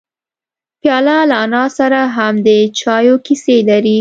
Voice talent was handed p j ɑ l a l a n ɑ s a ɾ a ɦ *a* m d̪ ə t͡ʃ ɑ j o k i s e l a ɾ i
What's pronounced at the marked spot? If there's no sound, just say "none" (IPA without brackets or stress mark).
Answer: a